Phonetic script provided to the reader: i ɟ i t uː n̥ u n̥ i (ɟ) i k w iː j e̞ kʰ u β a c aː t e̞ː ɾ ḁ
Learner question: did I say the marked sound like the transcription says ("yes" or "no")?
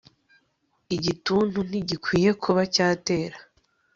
yes